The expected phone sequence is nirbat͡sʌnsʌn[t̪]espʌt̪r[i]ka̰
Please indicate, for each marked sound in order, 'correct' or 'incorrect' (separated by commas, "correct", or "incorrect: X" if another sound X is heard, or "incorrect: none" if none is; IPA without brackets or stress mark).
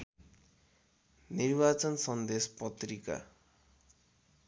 incorrect: d̪, correct